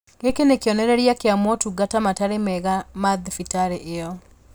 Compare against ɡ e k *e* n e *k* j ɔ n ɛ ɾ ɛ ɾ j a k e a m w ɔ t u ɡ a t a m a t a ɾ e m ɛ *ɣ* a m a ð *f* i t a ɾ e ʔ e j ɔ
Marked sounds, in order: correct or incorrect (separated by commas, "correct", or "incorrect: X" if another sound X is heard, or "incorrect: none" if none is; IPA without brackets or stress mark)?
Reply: correct, correct, correct, correct